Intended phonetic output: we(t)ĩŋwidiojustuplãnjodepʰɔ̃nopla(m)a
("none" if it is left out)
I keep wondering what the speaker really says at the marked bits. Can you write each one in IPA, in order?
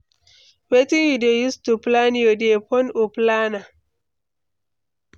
t, n

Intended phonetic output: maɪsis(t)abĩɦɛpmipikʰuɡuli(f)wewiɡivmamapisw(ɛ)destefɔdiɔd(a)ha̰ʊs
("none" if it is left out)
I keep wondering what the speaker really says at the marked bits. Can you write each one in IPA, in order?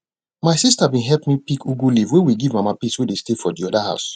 t, v, e, a

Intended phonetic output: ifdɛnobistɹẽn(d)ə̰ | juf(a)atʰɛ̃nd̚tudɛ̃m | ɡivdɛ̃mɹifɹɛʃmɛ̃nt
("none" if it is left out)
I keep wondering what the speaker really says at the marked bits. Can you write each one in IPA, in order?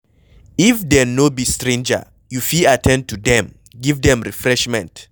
d͡ʒ, i

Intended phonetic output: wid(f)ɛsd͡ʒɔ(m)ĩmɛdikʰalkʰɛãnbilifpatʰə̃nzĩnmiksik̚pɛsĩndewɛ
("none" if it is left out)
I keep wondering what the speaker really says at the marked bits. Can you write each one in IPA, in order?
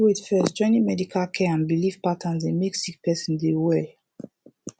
f, n

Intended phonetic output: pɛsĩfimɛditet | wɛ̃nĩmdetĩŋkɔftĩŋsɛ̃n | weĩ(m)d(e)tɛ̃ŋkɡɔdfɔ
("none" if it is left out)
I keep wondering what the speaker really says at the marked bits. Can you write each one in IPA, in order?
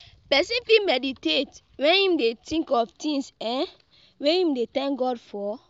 m, e

